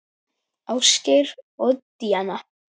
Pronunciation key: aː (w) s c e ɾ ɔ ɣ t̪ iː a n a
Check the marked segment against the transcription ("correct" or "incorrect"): correct